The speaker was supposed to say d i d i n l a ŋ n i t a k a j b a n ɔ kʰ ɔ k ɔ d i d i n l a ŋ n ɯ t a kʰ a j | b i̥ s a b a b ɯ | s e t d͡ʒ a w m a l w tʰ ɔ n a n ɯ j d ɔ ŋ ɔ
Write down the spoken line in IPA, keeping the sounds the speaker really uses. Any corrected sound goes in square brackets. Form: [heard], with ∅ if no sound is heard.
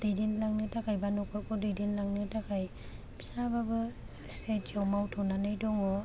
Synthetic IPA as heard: d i d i n l a ŋ n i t a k a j b a n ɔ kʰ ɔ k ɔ d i d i n l a ŋ n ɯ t a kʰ a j | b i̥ s a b a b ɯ | s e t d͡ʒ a w m a [∅] w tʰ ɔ n a n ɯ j d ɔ ŋ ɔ